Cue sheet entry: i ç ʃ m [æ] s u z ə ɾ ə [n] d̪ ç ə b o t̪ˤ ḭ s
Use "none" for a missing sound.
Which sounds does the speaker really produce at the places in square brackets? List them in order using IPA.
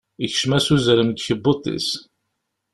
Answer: æ, m

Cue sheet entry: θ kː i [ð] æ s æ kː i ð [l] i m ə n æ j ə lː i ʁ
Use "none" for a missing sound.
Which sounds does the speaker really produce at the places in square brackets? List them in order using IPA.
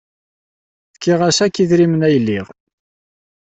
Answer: ʁ, ɾ

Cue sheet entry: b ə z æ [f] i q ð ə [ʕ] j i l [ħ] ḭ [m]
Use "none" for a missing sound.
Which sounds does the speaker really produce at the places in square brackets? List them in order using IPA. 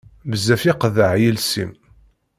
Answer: f, ʕ, s, m

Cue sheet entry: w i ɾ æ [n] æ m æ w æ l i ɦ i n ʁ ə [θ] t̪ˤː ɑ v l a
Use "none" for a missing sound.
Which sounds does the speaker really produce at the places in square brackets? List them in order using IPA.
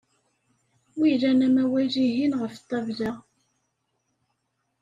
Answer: n, f

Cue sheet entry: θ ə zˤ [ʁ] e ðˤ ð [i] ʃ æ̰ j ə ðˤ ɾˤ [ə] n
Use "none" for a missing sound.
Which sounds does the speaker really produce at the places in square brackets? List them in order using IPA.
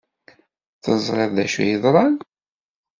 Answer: ʁ, æ, ɑ

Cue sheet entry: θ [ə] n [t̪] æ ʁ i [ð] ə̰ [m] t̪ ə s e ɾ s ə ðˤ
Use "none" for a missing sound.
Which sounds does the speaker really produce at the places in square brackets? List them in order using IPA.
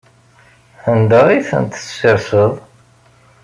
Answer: ə, d̪, θ, n

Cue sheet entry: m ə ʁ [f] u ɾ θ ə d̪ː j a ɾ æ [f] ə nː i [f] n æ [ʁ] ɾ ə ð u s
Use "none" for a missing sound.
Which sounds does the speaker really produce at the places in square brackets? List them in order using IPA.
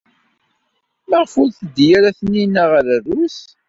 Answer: f, θ, none, ʁ

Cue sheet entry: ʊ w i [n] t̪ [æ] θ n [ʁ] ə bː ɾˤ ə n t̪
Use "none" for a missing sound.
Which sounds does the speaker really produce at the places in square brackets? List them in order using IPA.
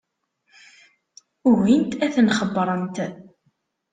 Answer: n, æ, χ

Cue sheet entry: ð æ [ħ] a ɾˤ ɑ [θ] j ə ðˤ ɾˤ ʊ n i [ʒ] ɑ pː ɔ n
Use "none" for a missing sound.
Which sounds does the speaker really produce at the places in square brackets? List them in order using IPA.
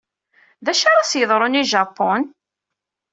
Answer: ʃ, s, ʒ

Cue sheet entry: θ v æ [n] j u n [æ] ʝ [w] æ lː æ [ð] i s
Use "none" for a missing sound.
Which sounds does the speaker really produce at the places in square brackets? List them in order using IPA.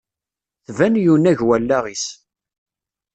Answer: n, æ, w, ʁ

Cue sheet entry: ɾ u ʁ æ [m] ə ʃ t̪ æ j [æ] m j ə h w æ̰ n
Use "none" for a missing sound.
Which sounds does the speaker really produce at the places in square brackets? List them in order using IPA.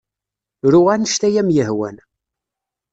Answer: n, æ

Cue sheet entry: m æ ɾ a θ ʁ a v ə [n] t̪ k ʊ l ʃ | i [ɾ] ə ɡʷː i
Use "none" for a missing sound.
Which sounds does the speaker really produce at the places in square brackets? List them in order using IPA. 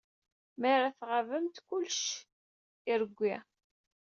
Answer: m, ɾ

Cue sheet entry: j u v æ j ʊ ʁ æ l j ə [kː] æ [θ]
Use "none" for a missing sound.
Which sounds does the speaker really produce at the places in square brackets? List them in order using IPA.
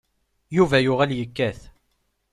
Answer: kː, θ

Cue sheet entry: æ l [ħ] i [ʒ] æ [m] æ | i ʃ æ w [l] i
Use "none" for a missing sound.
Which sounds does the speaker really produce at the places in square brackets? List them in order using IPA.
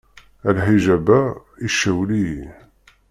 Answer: ħ, ʒ, b, l

